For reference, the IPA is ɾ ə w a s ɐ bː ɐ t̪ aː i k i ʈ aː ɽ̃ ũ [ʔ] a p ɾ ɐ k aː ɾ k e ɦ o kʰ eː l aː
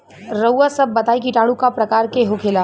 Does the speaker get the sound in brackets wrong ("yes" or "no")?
yes